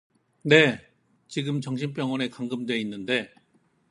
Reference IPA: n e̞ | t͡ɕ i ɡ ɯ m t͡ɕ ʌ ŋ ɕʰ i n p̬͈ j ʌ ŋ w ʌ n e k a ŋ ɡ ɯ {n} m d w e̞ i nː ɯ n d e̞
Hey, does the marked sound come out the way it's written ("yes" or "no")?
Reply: no